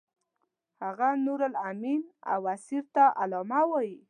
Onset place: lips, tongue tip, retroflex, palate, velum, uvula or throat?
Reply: throat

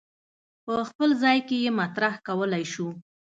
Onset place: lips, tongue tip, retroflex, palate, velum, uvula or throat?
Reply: lips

